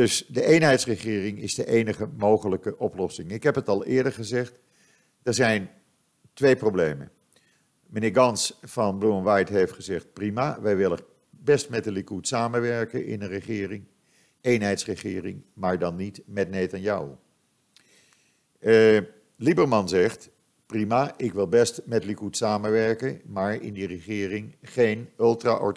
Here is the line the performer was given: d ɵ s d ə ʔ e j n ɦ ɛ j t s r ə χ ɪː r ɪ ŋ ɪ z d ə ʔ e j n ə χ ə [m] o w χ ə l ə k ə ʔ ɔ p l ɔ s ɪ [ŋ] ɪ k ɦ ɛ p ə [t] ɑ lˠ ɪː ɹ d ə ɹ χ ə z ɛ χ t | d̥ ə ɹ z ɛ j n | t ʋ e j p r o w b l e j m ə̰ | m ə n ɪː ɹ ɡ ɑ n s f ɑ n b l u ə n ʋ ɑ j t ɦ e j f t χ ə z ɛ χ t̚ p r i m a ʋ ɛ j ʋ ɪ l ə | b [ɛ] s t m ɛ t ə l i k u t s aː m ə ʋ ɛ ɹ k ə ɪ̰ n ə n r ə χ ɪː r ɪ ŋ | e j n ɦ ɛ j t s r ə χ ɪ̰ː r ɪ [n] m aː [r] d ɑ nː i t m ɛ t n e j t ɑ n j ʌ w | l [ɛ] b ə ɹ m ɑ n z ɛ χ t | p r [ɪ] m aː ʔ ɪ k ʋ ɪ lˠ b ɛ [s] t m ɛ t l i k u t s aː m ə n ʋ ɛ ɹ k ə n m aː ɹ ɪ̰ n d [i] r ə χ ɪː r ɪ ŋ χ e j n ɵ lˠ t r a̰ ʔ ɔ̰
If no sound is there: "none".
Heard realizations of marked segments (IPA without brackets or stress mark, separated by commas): m, ŋ, t, ɛ, ŋ, ɹ, i, i, s, i